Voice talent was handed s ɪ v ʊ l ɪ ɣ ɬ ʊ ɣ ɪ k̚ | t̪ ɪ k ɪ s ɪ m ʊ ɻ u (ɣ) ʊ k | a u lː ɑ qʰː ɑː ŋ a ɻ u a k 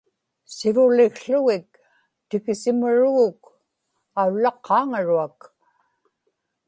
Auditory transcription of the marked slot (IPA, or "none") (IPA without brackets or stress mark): ɣ